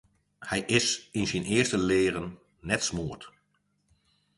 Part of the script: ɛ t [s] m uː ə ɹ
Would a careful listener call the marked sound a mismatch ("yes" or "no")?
no